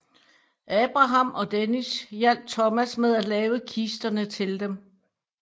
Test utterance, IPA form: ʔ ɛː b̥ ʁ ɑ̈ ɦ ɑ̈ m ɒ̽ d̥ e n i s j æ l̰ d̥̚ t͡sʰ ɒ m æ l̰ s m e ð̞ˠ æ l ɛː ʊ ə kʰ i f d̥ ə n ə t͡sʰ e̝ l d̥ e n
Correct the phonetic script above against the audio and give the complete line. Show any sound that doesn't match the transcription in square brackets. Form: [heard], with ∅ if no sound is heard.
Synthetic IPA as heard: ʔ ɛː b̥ ʁ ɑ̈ ɦ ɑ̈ m ɒ̽ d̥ e n i s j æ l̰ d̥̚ t͡sʰ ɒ m æ [∅] s m e ð̞ˠ æ l ɛː ʊ ə kʰ i [s] d̥ [ɐ] n ə t͡sʰ e̝ l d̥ e [m]